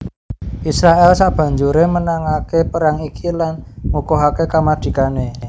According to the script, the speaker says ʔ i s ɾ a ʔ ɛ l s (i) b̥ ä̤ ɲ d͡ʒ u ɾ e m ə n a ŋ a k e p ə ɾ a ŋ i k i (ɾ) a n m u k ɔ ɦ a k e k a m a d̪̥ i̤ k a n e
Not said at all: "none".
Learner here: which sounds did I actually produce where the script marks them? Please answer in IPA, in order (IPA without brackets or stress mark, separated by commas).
a, l